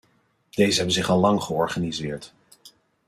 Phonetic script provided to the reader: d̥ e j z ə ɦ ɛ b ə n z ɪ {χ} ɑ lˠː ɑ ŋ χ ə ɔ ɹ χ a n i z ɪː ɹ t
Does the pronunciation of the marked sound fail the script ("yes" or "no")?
no